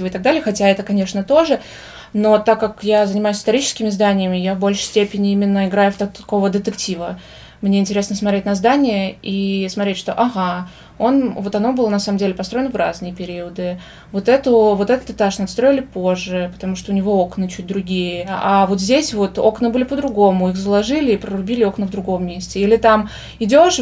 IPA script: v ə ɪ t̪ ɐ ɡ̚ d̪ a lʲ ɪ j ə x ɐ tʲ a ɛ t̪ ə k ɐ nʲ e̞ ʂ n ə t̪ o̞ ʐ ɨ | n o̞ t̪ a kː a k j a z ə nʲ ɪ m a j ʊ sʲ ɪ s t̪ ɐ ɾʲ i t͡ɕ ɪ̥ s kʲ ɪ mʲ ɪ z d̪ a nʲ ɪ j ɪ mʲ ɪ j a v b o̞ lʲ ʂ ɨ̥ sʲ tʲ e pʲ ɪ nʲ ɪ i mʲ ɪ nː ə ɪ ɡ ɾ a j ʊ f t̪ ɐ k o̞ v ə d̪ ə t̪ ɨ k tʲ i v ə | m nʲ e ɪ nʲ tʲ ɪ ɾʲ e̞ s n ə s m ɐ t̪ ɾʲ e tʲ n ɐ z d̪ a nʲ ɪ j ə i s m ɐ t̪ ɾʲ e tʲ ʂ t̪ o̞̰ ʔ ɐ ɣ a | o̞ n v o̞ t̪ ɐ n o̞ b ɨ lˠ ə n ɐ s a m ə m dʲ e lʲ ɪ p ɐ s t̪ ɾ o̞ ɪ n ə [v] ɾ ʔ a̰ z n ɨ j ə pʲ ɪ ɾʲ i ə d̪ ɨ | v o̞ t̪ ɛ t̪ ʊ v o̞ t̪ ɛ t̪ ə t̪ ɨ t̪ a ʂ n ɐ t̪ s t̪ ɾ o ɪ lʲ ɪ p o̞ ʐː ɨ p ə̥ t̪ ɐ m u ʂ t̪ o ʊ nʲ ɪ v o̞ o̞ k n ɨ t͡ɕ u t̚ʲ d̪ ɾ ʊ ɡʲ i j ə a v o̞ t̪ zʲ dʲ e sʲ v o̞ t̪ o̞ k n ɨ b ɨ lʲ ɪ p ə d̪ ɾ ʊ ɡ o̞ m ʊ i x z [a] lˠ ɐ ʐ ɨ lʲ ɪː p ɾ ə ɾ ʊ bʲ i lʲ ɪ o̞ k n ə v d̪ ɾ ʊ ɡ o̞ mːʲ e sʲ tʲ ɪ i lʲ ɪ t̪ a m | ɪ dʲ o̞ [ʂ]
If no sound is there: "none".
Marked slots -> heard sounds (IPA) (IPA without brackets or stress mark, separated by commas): v, ə, ʂ